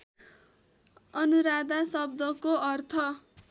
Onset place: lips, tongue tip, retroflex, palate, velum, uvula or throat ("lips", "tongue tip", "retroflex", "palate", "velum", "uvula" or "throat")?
tongue tip